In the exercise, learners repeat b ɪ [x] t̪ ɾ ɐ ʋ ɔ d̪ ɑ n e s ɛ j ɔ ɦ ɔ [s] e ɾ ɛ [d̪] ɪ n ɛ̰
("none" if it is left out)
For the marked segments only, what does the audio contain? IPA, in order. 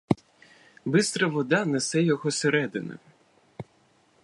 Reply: s, s, d̪

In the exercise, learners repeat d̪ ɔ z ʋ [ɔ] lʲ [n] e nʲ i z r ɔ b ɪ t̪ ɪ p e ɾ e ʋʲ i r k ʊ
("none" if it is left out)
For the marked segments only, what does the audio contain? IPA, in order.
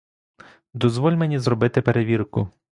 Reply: ɔ, m

